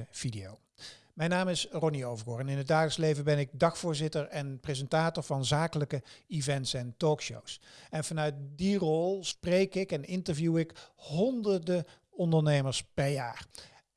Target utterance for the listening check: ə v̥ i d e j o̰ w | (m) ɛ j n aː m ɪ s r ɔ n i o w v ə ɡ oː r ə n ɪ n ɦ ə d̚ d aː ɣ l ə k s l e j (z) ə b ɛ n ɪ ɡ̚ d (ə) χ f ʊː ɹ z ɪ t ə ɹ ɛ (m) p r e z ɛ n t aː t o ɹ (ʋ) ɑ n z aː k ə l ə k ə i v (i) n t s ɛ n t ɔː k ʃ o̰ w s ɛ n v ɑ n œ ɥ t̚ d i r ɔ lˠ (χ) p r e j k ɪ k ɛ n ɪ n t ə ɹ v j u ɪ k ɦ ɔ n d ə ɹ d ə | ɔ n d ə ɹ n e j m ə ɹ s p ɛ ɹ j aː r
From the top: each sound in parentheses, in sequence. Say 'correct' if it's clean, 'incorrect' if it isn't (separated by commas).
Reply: correct, incorrect, incorrect, incorrect, incorrect, incorrect, incorrect